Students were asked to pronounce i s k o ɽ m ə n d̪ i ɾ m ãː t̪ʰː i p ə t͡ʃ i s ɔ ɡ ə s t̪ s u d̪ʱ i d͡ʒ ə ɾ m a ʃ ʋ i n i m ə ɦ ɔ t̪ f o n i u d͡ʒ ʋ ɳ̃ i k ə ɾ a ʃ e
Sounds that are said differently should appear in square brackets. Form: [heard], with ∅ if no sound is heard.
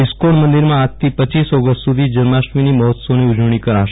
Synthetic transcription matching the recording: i s k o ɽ m ə n d̪ i ɾ m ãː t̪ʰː i p ə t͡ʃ i s ɔ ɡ ə s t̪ s u d̪ʱ i d͡ʒ ə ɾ m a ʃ ʋ i n i m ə ɦ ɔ t̪ [s] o n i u d͡ʒ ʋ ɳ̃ i k ə ɾ a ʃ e